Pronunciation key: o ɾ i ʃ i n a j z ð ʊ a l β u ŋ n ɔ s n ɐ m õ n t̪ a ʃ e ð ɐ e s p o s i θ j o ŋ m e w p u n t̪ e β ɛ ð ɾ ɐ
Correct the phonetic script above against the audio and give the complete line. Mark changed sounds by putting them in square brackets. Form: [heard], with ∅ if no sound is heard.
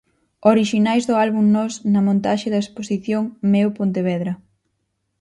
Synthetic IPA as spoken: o ɾ i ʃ i n a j z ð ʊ a l β u ŋ n ɔ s n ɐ m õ n t̪ a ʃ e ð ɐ e s p o s i θ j o ŋ m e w p [o] n t̪ e β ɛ ð ɾ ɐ